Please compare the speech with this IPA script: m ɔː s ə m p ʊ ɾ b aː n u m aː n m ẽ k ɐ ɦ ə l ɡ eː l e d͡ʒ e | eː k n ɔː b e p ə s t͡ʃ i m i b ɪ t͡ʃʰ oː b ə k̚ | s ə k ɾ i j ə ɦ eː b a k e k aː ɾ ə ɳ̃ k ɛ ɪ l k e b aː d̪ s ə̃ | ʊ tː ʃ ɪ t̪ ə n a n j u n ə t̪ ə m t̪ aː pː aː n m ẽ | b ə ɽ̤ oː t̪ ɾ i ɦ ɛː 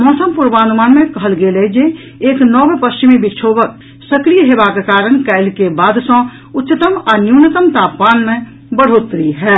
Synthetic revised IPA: m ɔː s ə m p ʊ ɾ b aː n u m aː n m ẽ k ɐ ɦ ə l ɡ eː l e d͡ʒ e | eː k n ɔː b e p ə s t͡ʃ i m i b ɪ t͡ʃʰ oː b ə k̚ | s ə k ɾ i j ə ɦ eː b a k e k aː ɾ ə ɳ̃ k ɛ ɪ l k e b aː d̪ s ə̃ | ʊ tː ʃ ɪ t̪ ə m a n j u n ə t̪ ə m t̪ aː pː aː n m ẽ | b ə ɽ̤ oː t̪ ɾ i ɦ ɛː